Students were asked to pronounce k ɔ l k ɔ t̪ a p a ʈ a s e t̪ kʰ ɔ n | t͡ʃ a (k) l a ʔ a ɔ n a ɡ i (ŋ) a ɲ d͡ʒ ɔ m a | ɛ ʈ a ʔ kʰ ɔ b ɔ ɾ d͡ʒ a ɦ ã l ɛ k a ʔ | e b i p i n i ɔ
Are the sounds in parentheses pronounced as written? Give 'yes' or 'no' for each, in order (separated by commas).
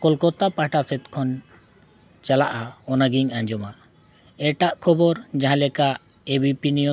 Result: no, yes